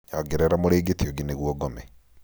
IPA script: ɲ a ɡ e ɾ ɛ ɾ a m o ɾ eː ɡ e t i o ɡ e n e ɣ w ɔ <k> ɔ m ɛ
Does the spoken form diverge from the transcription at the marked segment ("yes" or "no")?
yes